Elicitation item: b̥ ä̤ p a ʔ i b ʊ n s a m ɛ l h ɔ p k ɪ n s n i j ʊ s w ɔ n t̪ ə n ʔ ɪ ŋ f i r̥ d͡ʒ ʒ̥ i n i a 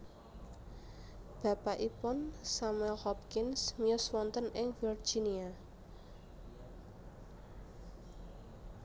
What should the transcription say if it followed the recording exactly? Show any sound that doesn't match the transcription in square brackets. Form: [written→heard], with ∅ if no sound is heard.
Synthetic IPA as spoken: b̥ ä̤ p a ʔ i [b→p] ʊ n s a m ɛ l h ɔ p k ɪ n s [n→m] i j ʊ s w ɔ n t̪ ə n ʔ ɪ ŋ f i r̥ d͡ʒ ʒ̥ i n i a

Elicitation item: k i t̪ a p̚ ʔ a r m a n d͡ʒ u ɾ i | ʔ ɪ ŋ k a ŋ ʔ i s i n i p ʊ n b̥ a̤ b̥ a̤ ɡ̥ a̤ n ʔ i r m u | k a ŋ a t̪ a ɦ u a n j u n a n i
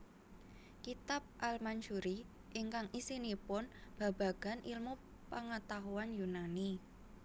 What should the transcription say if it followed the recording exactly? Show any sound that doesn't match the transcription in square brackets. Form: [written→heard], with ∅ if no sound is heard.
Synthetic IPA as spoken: k i t̪ a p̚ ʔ a [r→l] m a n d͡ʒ u ɾ i | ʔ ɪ ŋ k a ŋ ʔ i s i n i p ʊ n b̥ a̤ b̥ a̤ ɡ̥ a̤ n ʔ i [r→l] m u | [k→p] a ŋ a t̪ a ɦ u a n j u n a n i

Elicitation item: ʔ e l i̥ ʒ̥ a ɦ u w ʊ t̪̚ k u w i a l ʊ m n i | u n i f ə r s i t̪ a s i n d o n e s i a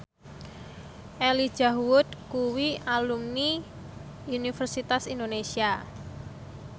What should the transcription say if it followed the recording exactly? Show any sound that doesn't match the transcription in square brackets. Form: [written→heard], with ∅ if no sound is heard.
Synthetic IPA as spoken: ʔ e l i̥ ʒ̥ a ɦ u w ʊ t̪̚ k u w i a l [ʊ→u] m n i | u n i f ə r s i t̪ a s i n d o n e s i a

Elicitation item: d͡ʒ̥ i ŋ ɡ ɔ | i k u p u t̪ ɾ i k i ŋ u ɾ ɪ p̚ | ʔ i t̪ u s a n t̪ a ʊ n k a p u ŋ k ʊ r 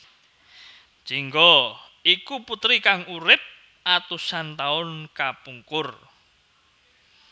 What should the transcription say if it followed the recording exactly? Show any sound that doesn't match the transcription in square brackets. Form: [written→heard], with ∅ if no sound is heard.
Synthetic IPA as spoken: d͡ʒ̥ i ŋ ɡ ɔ | i k u p u t̪ ɾ i k [i→a] ŋ u ɾ ɪ p̚ | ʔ [i→a] t̪ u s a n t̪ a ʊ n k a p u ŋ k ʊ r

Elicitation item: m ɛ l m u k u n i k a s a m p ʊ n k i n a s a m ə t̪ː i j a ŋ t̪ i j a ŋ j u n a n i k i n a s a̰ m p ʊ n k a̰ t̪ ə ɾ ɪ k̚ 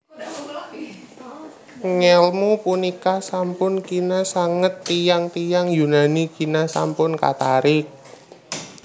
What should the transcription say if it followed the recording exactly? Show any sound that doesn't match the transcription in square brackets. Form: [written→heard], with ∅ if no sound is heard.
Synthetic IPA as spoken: [m→ŋ] ɛ l m u [k→p] u n i k a s a m p ʊ n k i n a s a [m→ŋ] ə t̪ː i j a ŋ t̪ i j a ŋ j u n a n i k i n a s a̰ m p ʊ n k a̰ t̪ [ə→a] ɾ ɪ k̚

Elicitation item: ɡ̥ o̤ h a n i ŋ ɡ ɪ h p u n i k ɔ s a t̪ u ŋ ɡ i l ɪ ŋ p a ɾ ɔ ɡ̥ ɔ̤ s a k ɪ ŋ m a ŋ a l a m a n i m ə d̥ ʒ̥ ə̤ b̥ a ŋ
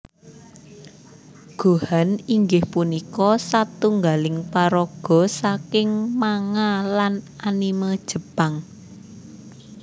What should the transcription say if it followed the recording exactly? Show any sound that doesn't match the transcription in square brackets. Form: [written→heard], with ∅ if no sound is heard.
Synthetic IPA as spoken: ɡ̥ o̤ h a n i ŋ ɡ ɪ h p u n i k ɔ s a t̪ u ŋ ɡ [i→a] l ɪ ŋ p a ɾ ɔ ɡ̥ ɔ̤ s a k ɪ ŋ m a ŋ a l a [m→n] a n i m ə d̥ ʒ̥ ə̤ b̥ a ŋ

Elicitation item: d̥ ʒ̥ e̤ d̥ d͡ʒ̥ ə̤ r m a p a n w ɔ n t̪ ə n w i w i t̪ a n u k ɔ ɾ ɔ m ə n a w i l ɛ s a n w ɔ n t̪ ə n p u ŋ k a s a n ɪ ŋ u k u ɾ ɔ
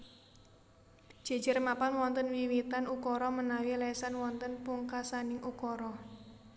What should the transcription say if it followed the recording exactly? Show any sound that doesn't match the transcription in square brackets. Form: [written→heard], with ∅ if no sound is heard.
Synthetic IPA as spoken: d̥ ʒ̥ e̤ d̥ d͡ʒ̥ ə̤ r m a p a n w ɔ n t̪ ə n w i w i t̪ a n u k ɔ ɾ ɔ m ə n a w i l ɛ s a n w ɔ n t̪ ə n p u ŋ k a s a n ɪ ŋ u k [u→ɔ] ɾ ɔ

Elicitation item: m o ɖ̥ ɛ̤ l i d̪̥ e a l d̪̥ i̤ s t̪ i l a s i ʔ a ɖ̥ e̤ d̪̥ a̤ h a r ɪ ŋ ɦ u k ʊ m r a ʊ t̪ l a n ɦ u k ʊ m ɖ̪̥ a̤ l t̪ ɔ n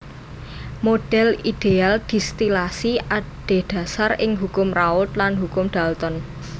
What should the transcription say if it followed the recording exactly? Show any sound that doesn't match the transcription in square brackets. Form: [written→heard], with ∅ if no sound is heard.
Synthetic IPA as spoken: m o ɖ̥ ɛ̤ l i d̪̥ e a l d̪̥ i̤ s t̪ i l a s i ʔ a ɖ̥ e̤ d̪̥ a̤ [h→s] a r ɪ ŋ ɦ u k ʊ m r a ʊ t̪ l a n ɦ u k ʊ m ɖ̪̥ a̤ l t̪ ɔ n

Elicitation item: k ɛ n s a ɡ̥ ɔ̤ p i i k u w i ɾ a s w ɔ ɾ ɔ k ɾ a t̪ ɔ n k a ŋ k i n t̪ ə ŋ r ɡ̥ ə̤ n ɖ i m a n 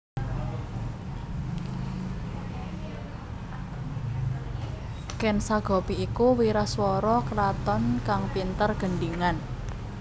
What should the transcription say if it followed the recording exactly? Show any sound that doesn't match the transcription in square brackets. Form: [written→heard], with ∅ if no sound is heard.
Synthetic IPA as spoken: k ɛ n s a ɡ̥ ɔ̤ p i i k u w i ɾ a s w ɔ ɾ ɔ k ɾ a t̪ ɔ n k a ŋ [k→p] i n t̪ ə [ŋ→∅] r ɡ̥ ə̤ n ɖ i [m→ŋ] a n

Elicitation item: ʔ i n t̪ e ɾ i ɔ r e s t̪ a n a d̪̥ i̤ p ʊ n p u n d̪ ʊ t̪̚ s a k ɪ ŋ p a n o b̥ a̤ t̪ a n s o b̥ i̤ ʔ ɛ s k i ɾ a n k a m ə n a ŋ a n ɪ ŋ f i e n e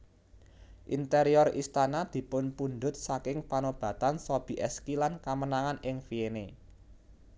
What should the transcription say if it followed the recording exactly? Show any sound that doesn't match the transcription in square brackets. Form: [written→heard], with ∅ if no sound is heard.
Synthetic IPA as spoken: ʔ i n t̪ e ɾ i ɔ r [e→i] s t̪ a n a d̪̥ i̤ p ʊ n p u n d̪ ʊ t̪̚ s a k ɪ ŋ p a n o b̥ a̤ t̪ a n s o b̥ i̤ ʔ ɛ s k i [ɾ→l] a n k a m ə n a ŋ a n ɪ ŋ f i e n e

